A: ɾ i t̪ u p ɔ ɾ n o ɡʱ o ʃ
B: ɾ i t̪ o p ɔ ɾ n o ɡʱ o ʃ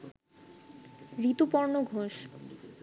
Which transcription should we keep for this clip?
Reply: A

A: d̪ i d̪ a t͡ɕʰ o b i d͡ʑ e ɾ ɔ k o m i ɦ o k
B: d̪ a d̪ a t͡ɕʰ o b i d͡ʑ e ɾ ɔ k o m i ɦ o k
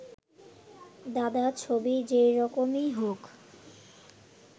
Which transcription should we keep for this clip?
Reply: B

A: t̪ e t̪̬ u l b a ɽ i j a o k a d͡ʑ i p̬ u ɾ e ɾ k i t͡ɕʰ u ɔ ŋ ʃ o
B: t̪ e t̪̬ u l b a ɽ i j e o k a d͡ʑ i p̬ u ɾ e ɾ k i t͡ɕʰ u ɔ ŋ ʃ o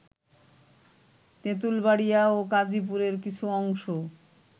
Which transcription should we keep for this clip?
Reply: A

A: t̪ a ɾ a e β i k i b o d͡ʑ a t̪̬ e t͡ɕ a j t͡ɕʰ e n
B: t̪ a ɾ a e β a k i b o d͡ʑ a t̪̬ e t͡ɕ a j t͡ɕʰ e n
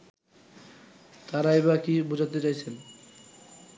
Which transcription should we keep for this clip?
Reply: B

